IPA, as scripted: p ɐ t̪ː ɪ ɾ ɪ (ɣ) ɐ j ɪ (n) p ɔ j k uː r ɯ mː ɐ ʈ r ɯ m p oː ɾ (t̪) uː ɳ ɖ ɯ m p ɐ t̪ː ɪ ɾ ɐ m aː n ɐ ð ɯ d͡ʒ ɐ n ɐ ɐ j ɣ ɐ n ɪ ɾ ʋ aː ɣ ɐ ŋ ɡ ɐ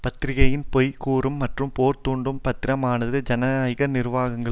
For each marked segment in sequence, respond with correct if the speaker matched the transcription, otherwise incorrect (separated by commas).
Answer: correct, correct, correct